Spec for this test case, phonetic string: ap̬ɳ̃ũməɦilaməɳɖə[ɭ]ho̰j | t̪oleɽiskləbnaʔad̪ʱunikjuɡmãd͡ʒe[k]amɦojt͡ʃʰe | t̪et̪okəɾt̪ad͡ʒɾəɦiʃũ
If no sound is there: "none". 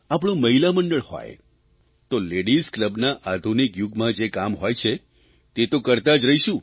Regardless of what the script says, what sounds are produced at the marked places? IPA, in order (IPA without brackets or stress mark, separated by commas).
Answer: ɭ, k